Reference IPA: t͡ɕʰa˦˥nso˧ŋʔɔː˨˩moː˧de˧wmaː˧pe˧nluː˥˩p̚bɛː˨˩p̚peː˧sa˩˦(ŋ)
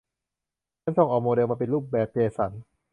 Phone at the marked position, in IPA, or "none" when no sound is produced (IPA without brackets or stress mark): n